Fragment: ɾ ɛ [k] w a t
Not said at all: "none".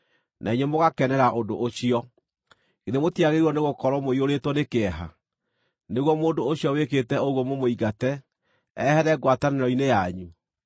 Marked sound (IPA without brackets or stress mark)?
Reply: ɡ